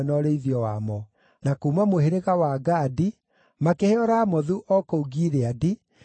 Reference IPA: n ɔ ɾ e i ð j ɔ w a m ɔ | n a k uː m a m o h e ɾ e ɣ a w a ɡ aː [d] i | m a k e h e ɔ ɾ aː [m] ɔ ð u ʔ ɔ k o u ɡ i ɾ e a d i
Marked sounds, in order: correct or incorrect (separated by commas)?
correct, correct